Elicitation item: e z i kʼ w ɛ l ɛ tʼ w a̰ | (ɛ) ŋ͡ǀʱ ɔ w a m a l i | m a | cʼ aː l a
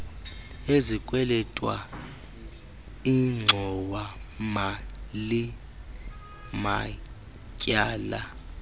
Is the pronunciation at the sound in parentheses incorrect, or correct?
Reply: incorrect